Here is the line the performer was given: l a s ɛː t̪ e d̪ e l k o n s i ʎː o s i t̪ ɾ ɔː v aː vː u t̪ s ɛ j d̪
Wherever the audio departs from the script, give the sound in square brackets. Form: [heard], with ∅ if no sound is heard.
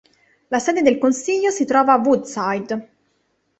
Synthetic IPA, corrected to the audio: l a s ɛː [d̪] e d̪ e l k o n s i ʎː o s i t̪ ɾ ɔː v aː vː u [d̪] s [a] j d̪